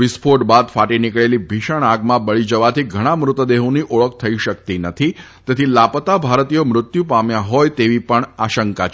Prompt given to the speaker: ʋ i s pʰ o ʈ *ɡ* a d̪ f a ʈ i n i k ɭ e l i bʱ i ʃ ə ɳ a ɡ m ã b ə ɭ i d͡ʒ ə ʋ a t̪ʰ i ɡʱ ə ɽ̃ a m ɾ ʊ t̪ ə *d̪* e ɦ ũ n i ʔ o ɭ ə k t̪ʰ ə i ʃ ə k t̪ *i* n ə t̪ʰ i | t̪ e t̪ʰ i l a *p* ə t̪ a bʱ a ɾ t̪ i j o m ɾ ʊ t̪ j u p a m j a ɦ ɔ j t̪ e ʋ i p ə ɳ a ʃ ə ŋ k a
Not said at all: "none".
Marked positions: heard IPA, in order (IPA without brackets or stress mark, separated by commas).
b, d̪, i, p